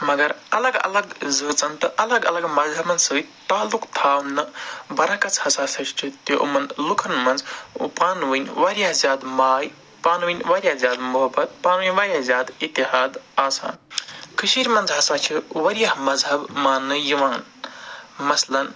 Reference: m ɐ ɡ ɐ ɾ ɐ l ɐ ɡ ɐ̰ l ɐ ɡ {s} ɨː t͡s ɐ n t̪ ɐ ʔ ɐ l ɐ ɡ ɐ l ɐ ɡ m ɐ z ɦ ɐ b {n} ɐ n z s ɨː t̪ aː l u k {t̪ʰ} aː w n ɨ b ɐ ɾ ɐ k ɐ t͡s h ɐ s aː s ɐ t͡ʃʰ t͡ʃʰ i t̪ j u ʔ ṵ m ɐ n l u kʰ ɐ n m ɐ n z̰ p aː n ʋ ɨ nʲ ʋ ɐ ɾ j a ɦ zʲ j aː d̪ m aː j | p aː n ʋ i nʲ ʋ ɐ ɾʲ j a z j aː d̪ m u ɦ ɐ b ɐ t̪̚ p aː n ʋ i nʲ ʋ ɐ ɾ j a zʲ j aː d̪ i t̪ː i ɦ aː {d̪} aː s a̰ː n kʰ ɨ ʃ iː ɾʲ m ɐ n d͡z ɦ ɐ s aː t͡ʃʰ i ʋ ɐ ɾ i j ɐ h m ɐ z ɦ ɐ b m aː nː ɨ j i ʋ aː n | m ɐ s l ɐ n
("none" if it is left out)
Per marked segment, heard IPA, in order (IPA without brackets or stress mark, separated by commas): z, m, t̪ʰ, d̪